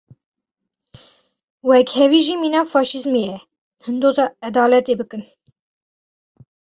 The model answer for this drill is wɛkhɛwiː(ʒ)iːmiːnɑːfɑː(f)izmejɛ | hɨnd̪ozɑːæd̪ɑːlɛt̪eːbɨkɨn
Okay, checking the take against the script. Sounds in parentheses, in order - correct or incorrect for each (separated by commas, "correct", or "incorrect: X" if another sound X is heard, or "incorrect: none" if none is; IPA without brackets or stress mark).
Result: correct, incorrect: ʃ